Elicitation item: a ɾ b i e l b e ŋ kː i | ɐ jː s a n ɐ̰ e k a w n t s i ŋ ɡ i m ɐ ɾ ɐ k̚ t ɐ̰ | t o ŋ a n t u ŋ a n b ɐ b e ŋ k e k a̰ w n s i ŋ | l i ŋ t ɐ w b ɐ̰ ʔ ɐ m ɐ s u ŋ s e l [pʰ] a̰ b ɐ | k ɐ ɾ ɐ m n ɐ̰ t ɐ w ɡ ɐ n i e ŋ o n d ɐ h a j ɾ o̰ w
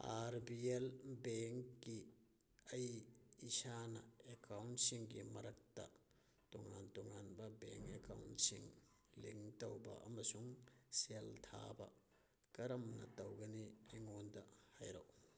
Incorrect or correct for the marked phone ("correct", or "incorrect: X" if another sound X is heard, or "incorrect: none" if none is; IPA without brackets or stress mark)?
incorrect: tʰ